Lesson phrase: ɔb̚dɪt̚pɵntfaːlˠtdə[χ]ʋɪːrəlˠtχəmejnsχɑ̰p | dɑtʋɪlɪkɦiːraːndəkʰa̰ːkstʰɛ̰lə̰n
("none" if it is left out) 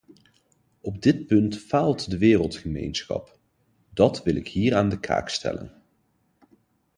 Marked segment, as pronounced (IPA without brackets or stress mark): none